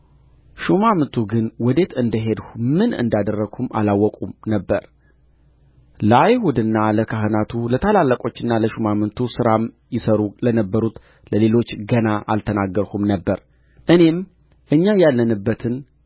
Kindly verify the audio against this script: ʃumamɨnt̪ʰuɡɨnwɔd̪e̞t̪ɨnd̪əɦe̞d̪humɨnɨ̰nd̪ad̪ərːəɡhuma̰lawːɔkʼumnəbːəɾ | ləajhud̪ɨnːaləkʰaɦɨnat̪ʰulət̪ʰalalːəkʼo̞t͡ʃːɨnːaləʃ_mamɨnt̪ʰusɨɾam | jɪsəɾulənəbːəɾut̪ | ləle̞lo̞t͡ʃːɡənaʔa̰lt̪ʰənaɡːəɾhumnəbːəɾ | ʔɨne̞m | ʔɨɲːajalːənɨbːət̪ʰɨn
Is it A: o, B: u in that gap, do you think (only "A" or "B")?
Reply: B